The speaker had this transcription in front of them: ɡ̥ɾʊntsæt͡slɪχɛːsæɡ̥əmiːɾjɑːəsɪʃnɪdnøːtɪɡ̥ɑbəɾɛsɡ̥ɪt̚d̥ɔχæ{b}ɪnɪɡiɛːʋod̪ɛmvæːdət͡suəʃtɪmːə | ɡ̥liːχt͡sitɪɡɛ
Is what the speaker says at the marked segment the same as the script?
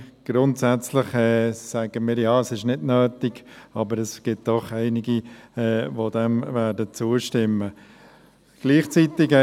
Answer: no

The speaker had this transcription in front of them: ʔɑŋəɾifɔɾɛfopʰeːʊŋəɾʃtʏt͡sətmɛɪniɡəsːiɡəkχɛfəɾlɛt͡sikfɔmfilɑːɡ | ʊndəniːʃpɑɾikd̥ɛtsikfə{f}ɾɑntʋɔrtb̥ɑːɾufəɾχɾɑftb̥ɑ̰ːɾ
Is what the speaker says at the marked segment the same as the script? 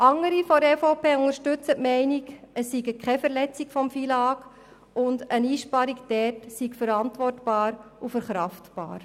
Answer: no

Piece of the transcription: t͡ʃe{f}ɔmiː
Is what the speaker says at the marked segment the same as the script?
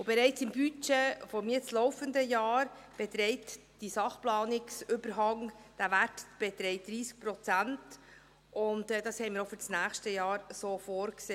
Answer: yes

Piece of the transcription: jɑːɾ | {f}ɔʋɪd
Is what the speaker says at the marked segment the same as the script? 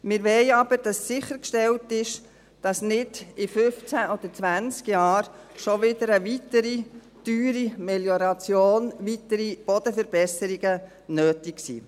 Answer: no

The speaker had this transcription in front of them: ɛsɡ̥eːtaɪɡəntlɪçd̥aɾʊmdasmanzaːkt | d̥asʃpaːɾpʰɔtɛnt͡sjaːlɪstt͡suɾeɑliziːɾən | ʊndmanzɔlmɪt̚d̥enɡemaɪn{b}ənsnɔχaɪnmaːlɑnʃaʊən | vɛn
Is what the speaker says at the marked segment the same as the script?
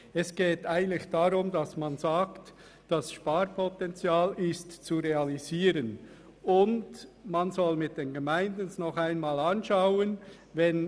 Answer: no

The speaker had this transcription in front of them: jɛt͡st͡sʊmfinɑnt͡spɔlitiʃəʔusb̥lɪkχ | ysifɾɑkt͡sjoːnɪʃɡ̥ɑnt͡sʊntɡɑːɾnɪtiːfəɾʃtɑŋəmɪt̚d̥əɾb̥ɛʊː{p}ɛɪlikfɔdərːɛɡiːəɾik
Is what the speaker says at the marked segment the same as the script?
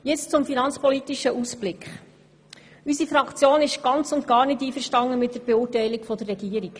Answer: no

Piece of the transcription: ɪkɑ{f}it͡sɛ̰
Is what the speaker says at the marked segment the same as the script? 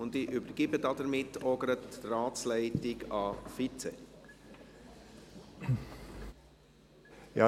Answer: yes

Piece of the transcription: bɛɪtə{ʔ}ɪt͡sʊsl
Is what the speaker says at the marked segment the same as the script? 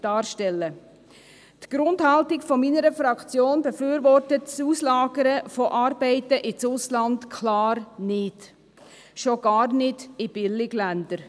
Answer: yes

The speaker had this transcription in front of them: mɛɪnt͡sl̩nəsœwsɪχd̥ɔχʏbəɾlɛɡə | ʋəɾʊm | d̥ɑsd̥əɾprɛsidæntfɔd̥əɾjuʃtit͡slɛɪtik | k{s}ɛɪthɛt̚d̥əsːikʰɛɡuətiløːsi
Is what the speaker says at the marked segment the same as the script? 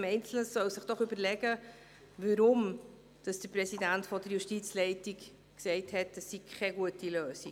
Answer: yes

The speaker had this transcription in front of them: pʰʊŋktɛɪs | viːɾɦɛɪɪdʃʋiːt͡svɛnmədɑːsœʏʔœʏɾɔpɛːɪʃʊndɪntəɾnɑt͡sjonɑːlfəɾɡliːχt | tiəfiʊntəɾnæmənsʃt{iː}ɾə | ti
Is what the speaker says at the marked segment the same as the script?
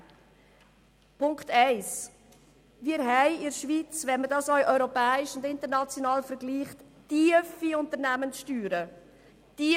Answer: no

